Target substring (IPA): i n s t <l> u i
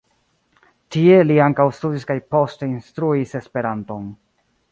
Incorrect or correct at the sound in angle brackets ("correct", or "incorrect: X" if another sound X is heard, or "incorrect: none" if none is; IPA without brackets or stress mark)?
incorrect: ɾ